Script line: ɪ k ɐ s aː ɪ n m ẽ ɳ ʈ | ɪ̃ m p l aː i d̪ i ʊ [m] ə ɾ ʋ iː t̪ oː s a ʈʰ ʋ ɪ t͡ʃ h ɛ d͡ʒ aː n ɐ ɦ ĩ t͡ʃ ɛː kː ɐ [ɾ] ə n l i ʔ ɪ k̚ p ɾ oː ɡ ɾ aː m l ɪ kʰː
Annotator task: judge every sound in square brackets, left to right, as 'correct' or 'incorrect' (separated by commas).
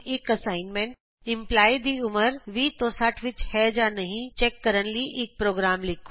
correct, correct